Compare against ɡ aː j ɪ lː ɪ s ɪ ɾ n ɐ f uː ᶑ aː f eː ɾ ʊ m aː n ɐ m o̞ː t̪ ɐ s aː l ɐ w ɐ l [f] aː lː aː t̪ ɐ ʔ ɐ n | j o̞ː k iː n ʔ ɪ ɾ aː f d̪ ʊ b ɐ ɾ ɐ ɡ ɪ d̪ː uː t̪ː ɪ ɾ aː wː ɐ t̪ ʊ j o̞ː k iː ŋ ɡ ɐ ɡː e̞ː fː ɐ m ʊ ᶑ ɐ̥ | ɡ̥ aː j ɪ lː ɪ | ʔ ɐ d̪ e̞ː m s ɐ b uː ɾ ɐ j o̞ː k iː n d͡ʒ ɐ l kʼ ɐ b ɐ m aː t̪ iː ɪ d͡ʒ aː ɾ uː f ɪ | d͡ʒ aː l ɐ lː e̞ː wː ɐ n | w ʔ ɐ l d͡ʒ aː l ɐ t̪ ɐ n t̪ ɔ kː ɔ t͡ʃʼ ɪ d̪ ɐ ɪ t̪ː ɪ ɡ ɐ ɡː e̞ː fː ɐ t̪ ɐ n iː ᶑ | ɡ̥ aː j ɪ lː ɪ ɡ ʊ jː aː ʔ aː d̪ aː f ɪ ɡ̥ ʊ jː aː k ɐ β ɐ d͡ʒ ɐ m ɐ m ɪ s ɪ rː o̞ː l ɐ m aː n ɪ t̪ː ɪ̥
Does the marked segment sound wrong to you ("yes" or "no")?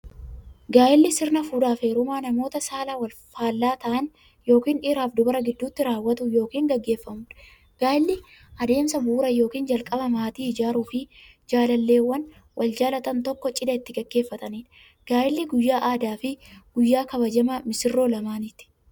no